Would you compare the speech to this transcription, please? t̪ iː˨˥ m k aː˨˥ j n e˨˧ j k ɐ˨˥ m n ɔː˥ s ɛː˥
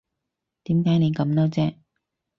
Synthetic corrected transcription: t̪ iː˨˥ m k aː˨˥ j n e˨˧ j k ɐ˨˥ m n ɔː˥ t͡s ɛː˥

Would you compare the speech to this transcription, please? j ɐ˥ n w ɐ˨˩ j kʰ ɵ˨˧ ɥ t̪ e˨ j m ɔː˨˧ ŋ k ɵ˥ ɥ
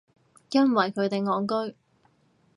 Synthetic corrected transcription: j ɐ˥ n w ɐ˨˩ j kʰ ɵ˨˧ ɥ t̪ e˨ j ŋ ɔː˨˧ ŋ k ɵ˥ ɥ

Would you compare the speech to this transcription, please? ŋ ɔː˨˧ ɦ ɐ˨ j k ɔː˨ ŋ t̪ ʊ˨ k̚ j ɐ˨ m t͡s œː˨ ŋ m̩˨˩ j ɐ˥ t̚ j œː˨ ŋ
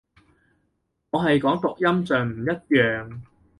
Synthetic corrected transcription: ŋ ɔː˨˧ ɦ ɐ˨ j k ɔː˨˥ ŋ t̪ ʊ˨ k̚ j ɐ˥ m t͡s œː˨ ŋ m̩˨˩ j ɐ˥ t̚ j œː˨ ŋ

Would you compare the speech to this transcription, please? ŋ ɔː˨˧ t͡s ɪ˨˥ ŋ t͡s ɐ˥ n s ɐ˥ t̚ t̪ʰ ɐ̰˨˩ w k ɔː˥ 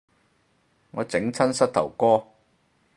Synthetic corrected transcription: ŋ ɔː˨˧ t͡s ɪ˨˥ ŋ t͡sʰ ɐ˥ n s ɐ˥ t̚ t̪ʰ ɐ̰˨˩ w k ɔː˥

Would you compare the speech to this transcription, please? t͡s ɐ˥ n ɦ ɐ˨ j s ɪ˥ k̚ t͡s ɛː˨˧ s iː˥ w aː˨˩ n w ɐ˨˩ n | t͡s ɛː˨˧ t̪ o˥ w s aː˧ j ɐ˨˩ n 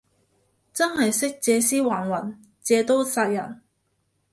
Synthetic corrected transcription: t͡s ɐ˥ n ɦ ɐ˨ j s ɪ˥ k̚ t͡s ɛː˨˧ s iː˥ w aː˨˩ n w ɐ˨˩ n | t͡s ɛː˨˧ t̪ o˥ w s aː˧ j ɐ˨˩ n

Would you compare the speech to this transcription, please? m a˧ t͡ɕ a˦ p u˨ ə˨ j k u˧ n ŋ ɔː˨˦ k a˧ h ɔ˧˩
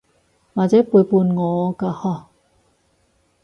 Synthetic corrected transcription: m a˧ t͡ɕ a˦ p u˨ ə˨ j p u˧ n ŋ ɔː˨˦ k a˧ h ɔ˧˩

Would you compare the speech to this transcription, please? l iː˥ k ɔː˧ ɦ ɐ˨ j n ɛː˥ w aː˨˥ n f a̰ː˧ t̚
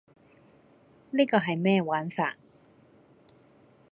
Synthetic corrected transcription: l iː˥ k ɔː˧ ɦ ɐ˨ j m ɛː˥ w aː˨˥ n f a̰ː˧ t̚

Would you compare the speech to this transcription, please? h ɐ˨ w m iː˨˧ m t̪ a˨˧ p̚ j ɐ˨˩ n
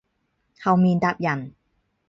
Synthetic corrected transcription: h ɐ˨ w m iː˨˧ n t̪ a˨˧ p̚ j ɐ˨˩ n

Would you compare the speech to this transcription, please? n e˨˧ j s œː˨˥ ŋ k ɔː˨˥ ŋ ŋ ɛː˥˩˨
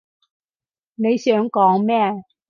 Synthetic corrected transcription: n e˨˧ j s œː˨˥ ŋ k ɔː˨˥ ŋ m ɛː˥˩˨

